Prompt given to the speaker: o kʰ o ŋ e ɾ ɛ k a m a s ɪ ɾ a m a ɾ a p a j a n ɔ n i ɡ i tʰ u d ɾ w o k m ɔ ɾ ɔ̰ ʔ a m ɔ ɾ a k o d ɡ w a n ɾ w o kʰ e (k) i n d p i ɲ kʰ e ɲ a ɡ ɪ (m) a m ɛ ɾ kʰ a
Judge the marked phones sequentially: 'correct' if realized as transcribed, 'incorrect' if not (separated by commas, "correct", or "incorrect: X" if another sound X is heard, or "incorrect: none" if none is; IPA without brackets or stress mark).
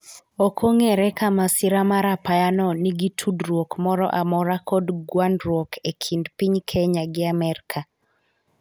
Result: incorrect: kʰ, incorrect: none